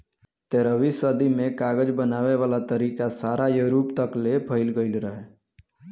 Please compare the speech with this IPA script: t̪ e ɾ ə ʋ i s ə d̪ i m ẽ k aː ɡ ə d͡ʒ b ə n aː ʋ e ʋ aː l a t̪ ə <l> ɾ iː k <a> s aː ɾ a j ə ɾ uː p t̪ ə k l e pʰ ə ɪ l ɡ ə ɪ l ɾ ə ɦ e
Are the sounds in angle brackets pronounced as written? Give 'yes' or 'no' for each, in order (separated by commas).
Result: no, yes